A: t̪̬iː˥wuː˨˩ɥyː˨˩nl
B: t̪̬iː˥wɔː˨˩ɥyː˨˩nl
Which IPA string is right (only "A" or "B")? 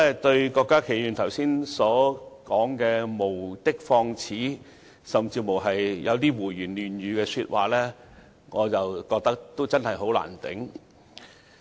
A